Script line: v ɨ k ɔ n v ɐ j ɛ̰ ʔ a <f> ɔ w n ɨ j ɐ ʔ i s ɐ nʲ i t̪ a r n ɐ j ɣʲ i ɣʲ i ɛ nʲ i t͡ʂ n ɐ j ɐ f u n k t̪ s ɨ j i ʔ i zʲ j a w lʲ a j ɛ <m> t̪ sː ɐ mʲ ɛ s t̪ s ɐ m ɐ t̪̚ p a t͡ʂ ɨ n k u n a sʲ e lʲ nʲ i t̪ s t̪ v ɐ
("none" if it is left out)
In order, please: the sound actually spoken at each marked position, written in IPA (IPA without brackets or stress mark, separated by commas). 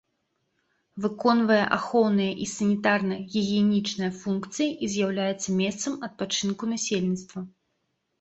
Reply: x, none